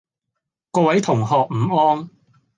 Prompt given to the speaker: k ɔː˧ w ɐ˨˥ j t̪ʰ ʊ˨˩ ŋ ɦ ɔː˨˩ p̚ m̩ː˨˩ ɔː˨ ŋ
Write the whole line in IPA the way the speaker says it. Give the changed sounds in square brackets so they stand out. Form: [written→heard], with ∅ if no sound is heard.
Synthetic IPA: k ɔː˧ w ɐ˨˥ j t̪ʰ ʊ˨˩ ŋ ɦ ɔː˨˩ [p̚→k̚] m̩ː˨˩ [ɔː˨→ɔː˥] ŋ